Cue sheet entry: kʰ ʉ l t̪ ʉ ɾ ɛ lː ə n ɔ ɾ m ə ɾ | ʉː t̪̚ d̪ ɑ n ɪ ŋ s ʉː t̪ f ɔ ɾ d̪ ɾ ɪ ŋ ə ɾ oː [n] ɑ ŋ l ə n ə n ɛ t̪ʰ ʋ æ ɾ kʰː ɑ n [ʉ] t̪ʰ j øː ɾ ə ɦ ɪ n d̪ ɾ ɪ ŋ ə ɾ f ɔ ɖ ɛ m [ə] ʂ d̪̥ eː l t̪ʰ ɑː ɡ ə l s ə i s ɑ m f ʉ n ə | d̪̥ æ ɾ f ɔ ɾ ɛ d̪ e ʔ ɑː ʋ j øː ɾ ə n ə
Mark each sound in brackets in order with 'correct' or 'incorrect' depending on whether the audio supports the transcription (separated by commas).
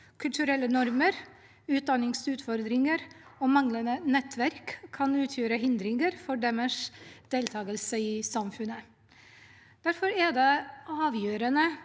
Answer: incorrect, incorrect, correct